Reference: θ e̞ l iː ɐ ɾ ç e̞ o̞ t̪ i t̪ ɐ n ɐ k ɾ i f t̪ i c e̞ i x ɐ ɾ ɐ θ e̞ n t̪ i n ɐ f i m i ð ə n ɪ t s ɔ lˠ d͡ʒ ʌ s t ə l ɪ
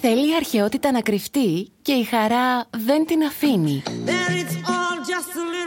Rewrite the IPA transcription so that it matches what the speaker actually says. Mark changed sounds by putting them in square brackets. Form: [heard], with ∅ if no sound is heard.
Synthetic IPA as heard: θ e̞ l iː ɐ ɾ ç e̞ o̞ t̪ i t̪ ɐ n ɐ k ɾ i f t̪ i c e̞ i x ɐ ɾ ɐ [ð] e̞ n t̪ i n ɐ f i [n] i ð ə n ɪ t s ɔ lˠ d͡ʒ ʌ s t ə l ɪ